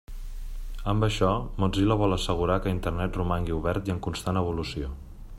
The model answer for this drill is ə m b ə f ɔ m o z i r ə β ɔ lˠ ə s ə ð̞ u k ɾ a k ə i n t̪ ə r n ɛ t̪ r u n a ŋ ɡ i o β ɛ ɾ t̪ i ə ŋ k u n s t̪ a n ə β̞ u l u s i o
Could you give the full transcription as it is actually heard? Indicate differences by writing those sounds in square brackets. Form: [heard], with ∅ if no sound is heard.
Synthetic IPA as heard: ə m b ə [ʃ] ɔ m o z i [l] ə β ɔ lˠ ə s ə [ɣ̞] u [∅] ɾ a k ə i n t̪ ə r n ɛ t̪ r u [m] a ŋ ɡ i [u] β ɛ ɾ t̪ i ə ŋ k u n s t̪ a n ə β̞ u l u s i o

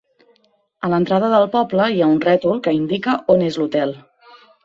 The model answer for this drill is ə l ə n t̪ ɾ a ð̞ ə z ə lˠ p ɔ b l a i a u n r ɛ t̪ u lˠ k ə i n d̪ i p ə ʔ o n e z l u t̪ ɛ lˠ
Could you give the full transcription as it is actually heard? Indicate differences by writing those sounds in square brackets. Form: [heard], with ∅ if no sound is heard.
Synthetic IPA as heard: ə l ə n t̪ ɾ a ð̞ ə [ð] ə lˠ p ɔ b l [ə] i a u n r ɛ t̪ u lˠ k ə i n d̪ i [k] ə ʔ o n e z l u t̪ ɛ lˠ

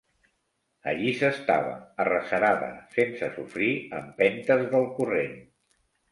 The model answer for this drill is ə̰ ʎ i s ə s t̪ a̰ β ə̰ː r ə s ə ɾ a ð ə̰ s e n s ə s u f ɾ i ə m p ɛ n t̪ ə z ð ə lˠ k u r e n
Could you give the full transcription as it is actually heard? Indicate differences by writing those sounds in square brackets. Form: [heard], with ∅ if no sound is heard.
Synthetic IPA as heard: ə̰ ʎ i s ə s t̪ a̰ β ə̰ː r ə s ə ɾ a ð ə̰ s e n s ə s u f ɾ i ə m p ɛ n t̪ ə z ð ə lˠ k u r e n

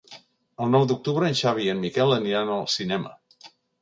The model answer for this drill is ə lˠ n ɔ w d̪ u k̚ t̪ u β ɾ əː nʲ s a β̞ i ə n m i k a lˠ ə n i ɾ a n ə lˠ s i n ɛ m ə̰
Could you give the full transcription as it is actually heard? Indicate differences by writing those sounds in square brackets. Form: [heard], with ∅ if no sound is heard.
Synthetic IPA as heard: ə lˠ n ɔ w d̪ u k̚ t̪ u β ɾ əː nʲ [ʃ] a β̞ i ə n m i k [ɛ] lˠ ə n i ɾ a n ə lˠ s i n ɛ m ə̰

